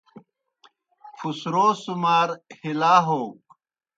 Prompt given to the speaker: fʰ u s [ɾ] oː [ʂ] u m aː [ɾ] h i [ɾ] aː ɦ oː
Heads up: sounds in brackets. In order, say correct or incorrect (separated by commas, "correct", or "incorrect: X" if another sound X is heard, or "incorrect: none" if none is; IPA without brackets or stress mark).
correct, incorrect: s, correct, incorrect: l